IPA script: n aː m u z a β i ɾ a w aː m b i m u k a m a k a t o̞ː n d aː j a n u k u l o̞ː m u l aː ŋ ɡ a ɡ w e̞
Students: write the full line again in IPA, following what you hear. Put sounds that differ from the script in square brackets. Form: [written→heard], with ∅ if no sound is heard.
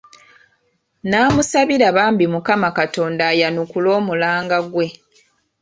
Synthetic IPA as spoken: n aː m u [z→s] a β i ɾ a [w→β] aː m b i m u k a m a k a t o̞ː n d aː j a n u k u l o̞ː m u l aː ŋ ɡ a ɡ w e̞